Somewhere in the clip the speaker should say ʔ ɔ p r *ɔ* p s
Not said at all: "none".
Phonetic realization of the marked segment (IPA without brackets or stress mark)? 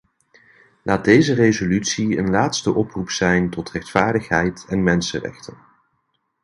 u